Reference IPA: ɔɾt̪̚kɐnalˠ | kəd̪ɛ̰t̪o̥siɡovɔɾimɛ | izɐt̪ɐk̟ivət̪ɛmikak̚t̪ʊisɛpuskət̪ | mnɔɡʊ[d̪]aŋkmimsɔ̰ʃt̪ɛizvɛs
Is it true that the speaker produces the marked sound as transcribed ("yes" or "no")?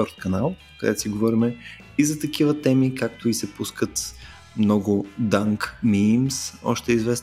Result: yes